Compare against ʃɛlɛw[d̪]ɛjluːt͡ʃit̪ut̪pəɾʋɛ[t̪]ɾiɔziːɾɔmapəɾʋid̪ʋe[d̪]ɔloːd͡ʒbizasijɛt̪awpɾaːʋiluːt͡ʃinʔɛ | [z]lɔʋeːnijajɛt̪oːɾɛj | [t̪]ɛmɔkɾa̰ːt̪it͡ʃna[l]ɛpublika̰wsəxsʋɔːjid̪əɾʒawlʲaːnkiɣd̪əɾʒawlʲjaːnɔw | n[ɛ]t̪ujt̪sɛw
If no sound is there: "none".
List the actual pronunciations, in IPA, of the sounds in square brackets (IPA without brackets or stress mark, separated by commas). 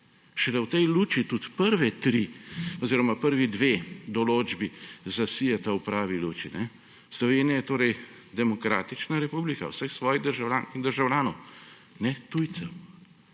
t̪, t̪, d̪, s, d̪, ɾ, ɛ